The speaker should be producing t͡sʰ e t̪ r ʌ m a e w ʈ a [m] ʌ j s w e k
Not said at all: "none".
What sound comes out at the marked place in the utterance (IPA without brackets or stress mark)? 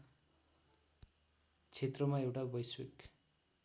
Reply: b